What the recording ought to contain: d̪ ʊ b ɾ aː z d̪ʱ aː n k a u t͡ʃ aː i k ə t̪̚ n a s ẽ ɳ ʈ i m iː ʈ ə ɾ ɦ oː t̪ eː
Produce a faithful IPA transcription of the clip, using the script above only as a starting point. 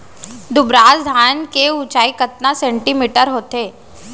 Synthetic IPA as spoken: d̪ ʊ b ɾ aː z d̪ʱ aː n k e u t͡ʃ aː i k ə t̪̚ n a s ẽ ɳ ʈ i m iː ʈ ə ɾ ɦ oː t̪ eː